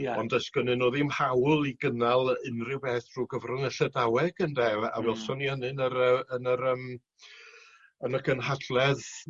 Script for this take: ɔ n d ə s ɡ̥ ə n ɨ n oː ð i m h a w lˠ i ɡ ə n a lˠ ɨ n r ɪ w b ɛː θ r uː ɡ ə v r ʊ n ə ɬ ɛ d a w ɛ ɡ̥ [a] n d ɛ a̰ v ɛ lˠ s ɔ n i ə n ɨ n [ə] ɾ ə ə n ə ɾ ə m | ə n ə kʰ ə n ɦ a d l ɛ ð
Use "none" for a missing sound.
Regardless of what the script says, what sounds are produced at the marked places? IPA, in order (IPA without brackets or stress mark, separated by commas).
ə, ə